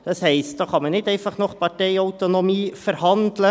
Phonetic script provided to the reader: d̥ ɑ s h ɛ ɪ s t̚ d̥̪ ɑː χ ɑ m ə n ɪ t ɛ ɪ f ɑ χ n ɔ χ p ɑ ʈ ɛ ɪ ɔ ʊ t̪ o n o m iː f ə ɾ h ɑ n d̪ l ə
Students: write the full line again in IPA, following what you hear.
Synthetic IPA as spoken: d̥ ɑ s h ɛ ɪ s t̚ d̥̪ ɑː χ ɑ m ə n ɪ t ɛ ɪ f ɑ χ n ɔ χ p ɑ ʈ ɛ ɪ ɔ ʊ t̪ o n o m iː f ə ɾ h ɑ n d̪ l ə